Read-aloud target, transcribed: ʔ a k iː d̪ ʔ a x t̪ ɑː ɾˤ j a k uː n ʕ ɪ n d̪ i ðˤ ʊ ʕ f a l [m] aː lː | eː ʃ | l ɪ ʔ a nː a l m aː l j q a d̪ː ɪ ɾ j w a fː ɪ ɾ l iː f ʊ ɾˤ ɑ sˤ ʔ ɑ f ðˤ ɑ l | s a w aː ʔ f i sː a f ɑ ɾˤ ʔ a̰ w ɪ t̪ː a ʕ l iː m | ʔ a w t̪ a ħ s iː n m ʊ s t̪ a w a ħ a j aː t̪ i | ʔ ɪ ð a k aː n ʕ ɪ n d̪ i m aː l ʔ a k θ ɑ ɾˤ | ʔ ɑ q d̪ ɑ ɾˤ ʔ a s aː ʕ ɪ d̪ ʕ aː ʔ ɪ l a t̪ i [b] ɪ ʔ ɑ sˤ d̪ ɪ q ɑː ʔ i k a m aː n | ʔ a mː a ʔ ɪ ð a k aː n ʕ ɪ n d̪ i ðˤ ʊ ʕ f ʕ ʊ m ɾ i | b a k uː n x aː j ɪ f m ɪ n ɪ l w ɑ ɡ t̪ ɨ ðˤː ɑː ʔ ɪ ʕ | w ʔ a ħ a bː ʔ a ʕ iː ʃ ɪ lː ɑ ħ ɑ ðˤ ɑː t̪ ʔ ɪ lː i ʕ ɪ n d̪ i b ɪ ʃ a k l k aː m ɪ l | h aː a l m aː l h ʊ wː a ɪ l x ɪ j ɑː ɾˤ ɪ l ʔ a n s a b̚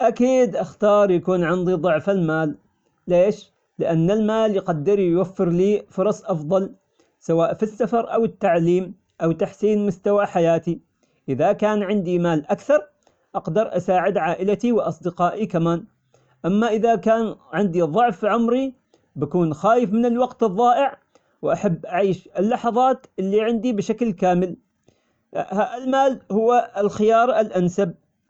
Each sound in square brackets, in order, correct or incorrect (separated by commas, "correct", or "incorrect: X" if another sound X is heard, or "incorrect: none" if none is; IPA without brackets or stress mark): correct, incorrect: w